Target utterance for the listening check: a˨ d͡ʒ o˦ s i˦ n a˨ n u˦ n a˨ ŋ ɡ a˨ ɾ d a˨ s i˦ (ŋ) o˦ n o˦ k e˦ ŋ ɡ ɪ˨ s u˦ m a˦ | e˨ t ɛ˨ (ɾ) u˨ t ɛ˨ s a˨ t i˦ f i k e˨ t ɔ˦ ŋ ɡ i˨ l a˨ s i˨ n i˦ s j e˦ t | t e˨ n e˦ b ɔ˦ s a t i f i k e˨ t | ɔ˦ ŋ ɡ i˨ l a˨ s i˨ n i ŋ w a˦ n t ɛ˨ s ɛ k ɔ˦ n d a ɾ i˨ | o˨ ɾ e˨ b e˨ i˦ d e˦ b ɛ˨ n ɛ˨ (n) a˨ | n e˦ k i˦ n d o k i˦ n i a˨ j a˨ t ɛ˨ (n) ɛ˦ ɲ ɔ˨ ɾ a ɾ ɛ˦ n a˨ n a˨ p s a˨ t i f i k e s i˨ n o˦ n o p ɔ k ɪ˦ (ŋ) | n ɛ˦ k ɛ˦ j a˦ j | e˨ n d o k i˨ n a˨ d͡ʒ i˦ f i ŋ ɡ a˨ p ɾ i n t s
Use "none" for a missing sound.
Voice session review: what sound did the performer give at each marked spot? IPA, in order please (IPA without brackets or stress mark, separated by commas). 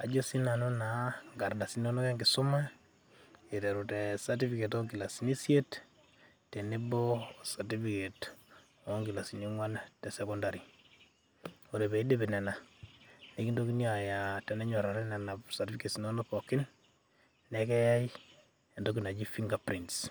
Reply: n, ɾ, n, n, n